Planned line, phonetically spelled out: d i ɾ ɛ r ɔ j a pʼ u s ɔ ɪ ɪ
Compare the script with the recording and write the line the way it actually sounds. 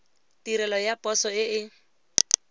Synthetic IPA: t i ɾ ɛ l ɔ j a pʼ ɔ s ɔ ɪ ɪ